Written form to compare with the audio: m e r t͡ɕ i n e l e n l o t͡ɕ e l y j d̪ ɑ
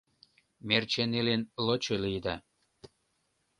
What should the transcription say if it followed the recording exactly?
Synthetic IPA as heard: m e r t͡ɕ e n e l e n l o t͡ɕ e l i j d̪ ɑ